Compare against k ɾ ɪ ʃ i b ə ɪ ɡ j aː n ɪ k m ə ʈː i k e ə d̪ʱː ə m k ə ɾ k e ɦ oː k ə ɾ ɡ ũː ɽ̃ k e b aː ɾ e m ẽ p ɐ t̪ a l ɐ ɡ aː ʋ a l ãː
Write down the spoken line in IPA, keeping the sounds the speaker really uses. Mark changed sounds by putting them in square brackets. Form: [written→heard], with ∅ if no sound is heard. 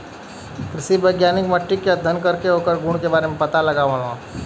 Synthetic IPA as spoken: k ɾ ɪ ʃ i b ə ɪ ɡ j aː n ɪ k m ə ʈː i k e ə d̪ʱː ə [m→n] k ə ɾ k e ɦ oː k ə ɾ ɡ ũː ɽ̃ k e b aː ɾ e m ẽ p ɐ t̪ a l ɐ ɡ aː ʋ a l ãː